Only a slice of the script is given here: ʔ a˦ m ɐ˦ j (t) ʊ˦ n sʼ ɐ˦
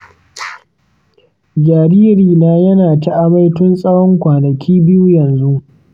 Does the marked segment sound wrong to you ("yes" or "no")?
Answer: no